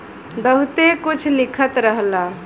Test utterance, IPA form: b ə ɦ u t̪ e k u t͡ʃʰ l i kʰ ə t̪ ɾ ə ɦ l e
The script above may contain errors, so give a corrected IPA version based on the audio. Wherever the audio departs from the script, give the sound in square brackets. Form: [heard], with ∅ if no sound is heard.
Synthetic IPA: b ə ɦ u t̪ e k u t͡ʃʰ l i kʰ ə t̪ ɾ ə ɦ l [a]